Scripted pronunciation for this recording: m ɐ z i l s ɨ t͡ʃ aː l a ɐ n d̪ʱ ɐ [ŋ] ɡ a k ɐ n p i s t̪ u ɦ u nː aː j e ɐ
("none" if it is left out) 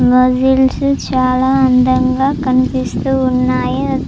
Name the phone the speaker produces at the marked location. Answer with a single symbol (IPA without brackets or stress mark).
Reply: ŋ